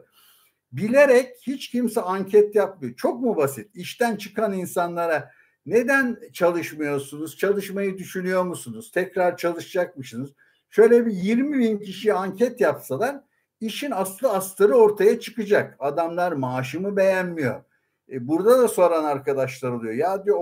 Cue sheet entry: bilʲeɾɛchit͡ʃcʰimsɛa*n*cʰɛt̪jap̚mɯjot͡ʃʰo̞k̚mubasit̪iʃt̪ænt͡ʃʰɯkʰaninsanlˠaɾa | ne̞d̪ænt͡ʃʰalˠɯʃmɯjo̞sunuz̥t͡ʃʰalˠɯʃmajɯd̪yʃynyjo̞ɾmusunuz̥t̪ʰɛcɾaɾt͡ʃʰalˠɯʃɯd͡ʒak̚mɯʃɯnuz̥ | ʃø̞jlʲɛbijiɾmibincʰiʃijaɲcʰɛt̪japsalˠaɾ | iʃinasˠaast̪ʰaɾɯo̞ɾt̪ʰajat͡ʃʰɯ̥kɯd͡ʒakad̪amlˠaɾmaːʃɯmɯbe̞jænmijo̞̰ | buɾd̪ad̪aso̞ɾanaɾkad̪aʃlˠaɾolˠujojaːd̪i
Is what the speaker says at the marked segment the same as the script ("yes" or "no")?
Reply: no